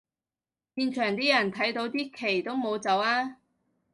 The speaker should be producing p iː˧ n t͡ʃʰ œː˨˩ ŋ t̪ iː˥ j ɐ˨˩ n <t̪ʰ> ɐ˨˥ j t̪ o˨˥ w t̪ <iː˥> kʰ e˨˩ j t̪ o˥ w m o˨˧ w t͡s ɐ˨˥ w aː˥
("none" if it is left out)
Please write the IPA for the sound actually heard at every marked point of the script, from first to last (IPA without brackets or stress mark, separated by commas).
t̪ʰ, iː˥